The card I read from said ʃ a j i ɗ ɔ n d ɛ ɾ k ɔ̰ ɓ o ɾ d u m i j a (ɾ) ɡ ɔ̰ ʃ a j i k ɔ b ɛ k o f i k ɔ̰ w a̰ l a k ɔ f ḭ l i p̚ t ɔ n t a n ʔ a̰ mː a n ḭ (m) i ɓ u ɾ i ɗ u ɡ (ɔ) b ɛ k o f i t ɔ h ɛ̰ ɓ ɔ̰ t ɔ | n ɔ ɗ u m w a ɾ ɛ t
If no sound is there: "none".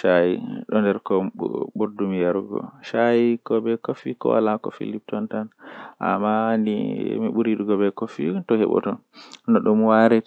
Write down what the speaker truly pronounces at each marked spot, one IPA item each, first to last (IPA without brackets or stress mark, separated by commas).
ɾ, m, ɔ